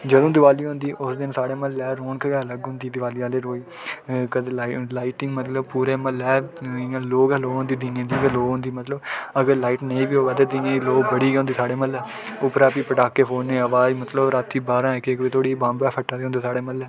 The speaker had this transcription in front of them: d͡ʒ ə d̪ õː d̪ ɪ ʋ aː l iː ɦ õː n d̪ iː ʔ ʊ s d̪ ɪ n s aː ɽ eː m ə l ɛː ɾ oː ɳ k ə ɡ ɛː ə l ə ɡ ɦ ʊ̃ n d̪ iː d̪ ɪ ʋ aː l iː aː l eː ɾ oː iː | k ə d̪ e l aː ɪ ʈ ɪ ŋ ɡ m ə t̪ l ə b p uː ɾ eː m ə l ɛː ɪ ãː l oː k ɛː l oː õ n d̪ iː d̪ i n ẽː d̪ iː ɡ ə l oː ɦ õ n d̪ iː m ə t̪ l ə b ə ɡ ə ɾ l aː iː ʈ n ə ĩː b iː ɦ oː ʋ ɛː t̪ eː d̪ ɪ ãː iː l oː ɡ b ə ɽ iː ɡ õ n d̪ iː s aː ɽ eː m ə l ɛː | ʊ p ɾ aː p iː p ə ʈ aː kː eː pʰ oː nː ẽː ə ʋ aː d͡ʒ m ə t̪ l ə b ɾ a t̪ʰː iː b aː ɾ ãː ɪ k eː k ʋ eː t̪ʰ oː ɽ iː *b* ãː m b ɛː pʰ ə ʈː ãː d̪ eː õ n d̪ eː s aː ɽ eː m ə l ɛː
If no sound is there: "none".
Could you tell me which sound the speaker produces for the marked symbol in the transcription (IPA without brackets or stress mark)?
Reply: b